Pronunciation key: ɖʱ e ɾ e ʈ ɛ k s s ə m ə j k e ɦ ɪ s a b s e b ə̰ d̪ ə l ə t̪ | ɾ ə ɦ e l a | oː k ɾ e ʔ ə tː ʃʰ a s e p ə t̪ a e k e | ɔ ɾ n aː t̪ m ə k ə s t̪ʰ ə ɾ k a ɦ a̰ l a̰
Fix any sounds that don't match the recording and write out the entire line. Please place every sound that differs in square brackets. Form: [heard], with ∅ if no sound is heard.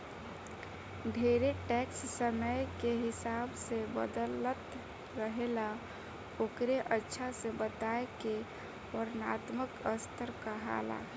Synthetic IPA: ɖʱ e ɾ e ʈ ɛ k s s ə m ə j k e ɦ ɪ s a b s e b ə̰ d̪ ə l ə t̪ | ɾ ə ɦ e l a | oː k ɾ e ʔ ə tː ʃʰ a s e [b] ə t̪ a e k e | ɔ ɾ n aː t̪ m ə k ə s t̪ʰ ə ɾ k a ɦ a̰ l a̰